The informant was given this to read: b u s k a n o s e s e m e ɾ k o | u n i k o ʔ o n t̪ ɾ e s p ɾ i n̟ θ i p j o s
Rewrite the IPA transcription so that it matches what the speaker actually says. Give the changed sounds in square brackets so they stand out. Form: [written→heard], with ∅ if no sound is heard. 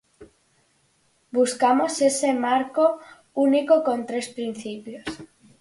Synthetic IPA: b u s k a [n→m] o s e s e m [e→a] ɾ k o | u n i k o [ʔ→k] o n t̪ ɾ e s p ɾ i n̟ θ i p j o s